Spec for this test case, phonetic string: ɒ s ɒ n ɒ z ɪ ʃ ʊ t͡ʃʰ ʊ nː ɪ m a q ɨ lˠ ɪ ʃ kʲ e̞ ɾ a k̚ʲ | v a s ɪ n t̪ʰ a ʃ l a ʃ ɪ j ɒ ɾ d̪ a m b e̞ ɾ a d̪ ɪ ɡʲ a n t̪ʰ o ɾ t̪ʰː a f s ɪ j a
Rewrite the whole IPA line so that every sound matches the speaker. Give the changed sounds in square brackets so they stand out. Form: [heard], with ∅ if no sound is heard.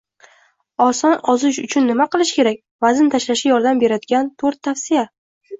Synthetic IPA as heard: ɒ s ɒ n ɒ z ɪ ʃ ʊ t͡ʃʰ ʊ nː ɪ m a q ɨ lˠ ɪ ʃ kʲ e̞ ɾ a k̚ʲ | v a [z] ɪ n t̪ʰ a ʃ l a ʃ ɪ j ɒ ɾ d̪ a m b e̞ ɾ a d̪ ɪ ɡʲ a n t̪ʰ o ɾ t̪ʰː a f s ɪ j a